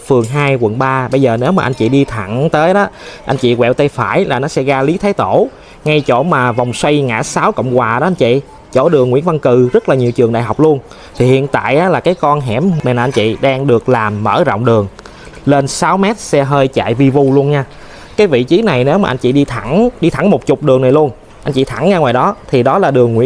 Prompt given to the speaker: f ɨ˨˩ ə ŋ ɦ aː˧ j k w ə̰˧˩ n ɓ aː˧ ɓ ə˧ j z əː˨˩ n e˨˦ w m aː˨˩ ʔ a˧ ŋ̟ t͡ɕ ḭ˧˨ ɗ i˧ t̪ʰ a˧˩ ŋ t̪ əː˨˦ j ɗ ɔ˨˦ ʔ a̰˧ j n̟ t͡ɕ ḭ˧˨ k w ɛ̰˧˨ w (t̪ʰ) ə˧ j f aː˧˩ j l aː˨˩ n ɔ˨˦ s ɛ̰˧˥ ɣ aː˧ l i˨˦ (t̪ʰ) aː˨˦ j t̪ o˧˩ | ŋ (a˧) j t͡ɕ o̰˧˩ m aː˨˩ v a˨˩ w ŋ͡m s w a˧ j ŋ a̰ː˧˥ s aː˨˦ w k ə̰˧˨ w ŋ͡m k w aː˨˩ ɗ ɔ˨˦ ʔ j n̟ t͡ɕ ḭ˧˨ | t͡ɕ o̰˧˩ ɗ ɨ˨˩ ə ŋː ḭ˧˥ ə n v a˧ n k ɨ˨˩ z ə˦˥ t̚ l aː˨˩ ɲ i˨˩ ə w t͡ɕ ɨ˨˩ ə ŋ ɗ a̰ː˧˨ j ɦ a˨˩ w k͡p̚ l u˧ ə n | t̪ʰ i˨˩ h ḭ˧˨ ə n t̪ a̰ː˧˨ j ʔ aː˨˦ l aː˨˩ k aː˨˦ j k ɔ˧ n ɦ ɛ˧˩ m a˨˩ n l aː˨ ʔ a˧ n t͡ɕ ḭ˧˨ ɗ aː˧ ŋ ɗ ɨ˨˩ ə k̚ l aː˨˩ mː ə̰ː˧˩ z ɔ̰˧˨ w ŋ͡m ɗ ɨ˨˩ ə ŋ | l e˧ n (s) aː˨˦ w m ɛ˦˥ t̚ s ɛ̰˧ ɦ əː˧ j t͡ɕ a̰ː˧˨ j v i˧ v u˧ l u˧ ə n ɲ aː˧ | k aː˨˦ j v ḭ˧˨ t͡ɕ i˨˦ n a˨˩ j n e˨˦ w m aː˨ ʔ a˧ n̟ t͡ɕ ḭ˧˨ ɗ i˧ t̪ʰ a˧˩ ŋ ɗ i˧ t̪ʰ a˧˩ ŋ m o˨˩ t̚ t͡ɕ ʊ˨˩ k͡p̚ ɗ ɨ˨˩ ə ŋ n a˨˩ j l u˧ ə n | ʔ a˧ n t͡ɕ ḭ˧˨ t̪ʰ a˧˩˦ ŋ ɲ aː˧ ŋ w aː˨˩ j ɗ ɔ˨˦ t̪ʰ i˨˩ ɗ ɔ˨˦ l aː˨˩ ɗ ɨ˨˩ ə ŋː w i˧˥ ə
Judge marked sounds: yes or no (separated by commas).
no, yes, yes, yes